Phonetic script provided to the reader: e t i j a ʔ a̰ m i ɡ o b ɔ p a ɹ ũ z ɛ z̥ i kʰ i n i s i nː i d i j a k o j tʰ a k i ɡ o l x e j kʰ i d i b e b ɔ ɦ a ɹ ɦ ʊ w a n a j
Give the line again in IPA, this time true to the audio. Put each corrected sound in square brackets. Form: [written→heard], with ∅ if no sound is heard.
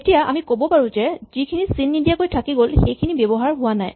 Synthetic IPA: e t i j a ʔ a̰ m i [ɡ→k] o b ɔ p a ɹ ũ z ɛ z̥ i kʰ i n i s i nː i d i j a k o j tʰ a k i ɡ o l x e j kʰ i [d→n] i b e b ɔ ɦ a ɹ ɦ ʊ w a n a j